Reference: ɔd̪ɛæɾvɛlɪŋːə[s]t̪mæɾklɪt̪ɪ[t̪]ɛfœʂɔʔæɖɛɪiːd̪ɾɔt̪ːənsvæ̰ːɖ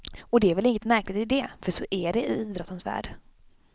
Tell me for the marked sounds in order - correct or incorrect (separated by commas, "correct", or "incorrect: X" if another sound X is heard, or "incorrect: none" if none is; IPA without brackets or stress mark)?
incorrect: none, incorrect: d̪